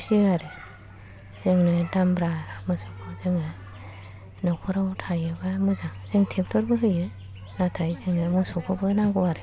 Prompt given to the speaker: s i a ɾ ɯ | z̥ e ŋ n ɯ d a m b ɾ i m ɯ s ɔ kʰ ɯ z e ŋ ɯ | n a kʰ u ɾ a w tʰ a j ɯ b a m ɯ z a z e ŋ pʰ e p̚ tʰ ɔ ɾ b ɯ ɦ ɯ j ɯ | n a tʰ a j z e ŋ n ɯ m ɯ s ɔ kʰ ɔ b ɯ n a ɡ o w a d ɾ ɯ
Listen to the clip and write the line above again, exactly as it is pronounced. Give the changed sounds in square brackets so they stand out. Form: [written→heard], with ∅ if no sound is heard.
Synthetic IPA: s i a ɾ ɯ | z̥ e ŋ n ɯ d a m b ɾ [i→a] m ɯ s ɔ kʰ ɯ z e ŋ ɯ | n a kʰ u ɾ a w tʰ a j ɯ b a m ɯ z a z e ŋ [pʰ→tʰ] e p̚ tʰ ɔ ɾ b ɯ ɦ ɯ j ɯ | n a tʰ a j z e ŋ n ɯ m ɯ s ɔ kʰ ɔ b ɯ n a ɡ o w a [d→∅] ɾ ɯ